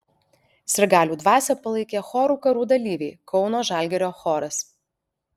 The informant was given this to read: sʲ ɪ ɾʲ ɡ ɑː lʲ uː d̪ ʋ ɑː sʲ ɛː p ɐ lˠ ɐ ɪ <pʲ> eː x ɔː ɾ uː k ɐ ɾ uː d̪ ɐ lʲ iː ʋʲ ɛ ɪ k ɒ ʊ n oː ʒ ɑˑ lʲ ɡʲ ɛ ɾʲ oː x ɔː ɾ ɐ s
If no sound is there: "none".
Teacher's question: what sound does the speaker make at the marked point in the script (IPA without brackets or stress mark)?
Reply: kʲ